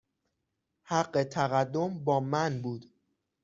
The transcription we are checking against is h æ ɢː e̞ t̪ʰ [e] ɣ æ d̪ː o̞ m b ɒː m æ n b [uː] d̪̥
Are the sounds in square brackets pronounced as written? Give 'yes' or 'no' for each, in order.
no, yes

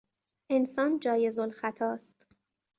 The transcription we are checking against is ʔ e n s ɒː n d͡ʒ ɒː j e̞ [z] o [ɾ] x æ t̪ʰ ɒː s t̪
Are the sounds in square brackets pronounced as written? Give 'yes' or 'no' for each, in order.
yes, no

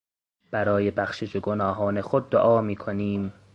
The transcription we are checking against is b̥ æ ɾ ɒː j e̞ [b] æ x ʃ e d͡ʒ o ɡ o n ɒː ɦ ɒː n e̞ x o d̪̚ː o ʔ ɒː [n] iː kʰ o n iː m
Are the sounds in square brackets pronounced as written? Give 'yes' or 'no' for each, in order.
yes, no

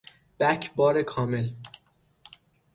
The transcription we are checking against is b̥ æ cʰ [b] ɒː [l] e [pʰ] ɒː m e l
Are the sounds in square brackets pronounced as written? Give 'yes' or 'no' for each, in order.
yes, no, no

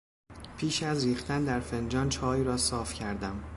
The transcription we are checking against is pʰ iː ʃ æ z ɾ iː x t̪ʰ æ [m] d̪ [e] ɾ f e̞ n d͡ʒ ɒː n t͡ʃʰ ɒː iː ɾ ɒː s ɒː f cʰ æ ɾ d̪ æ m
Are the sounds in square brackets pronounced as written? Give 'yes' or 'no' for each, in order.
no, no

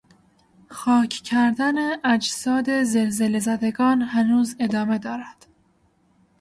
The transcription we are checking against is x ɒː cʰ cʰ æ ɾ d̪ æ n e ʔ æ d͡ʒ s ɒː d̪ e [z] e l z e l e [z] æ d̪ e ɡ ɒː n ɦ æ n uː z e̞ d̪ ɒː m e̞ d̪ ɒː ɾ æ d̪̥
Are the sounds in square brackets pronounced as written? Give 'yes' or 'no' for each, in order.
yes, yes

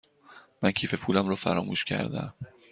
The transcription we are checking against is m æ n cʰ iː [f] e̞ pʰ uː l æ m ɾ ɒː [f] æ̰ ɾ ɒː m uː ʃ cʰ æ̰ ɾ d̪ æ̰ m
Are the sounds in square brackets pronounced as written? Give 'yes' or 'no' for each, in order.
yes, yes

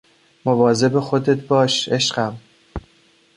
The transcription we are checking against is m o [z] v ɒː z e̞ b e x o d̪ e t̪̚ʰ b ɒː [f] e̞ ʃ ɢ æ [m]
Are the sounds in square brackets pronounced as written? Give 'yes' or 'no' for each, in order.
no, no, yes

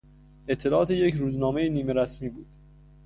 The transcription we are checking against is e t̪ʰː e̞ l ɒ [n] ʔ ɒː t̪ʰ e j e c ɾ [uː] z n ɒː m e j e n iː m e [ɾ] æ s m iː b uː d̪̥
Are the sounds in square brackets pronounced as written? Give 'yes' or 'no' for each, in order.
no, yes, yes

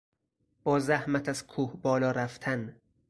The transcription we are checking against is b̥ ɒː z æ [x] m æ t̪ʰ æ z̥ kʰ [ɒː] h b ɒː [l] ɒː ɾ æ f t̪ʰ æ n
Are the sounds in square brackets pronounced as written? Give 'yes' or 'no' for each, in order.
no, no, yes

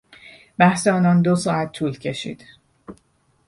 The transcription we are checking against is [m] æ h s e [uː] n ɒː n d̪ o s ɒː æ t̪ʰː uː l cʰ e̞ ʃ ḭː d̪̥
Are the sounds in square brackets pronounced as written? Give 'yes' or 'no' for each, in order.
no, no

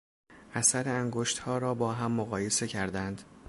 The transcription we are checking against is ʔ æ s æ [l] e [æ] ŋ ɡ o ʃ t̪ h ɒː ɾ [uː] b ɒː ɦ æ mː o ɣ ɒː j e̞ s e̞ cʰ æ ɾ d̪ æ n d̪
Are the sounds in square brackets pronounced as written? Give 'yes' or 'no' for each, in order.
no, yes, no

